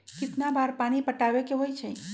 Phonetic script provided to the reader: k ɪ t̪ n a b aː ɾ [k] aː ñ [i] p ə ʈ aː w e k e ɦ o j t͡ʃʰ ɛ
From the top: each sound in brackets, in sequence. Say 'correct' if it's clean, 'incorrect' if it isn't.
incorrect, correct

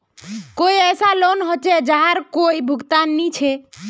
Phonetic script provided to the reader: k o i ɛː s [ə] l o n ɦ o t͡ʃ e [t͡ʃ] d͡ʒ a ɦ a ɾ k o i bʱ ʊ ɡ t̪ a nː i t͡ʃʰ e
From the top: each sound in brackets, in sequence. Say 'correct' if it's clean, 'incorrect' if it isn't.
incorrect, incorrect

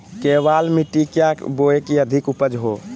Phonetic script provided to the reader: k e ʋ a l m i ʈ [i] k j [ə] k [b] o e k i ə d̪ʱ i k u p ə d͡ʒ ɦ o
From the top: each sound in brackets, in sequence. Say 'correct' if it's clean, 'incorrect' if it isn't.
correct, incorrect, correct

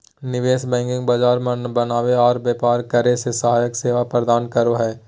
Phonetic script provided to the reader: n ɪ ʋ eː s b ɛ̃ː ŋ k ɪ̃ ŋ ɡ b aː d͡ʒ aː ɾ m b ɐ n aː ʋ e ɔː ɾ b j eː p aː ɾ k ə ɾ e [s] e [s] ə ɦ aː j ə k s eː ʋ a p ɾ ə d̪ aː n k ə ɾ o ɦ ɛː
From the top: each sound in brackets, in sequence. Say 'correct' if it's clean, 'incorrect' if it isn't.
correct, correct

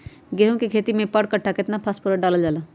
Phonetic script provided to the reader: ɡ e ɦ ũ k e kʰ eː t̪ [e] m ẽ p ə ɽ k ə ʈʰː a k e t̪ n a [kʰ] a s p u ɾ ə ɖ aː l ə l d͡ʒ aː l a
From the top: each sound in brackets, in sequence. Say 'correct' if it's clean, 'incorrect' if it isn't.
incorrect, incorrect

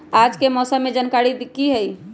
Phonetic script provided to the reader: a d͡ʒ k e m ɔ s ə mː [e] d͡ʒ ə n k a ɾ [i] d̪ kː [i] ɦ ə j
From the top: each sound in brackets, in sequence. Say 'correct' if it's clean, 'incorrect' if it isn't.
correct, correct, correct

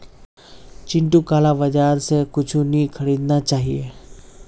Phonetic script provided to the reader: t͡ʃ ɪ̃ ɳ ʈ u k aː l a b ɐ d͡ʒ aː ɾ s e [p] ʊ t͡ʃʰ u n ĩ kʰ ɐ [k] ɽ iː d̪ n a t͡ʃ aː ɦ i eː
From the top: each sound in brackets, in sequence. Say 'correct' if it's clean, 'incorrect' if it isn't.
incorrect, incorrect

